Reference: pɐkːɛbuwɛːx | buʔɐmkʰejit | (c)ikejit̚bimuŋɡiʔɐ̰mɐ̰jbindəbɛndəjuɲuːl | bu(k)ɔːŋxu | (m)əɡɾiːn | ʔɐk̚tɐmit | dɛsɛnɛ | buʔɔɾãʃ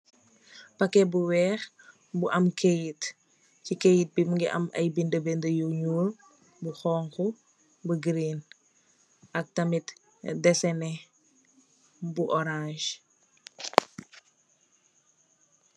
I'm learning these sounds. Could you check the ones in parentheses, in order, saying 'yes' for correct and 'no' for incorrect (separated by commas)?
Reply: yes, no, no